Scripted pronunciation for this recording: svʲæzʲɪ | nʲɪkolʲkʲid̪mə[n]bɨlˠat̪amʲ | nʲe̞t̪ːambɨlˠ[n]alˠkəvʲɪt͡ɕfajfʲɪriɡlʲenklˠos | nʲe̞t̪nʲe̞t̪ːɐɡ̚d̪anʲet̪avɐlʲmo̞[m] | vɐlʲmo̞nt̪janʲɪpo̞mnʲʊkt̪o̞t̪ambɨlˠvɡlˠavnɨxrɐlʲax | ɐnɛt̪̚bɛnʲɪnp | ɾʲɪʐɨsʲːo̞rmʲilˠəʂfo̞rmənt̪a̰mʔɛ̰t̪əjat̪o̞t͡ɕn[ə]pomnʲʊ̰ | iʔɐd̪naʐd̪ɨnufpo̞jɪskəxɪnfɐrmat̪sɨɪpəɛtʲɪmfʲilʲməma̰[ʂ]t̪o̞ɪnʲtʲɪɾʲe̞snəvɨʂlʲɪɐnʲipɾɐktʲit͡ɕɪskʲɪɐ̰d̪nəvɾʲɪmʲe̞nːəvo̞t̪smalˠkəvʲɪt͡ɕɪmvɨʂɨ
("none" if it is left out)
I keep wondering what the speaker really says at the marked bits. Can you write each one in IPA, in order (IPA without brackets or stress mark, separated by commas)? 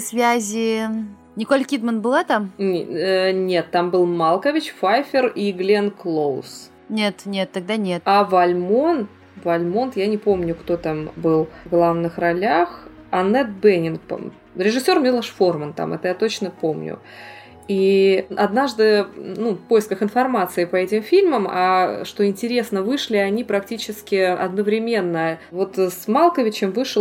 n, m, n, ə, ʂ